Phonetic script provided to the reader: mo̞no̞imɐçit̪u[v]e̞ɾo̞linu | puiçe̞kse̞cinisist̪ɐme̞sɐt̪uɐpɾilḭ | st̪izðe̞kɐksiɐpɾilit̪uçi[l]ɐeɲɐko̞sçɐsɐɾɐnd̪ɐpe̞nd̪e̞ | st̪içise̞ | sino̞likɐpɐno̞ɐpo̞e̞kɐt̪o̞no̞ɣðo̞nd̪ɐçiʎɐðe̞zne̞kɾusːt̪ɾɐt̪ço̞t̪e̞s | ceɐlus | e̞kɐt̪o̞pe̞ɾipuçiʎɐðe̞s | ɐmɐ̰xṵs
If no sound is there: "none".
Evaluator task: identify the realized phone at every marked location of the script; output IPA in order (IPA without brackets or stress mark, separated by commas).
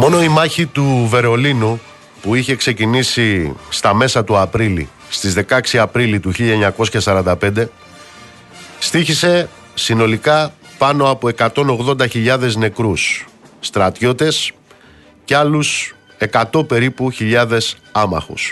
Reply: v, ʎ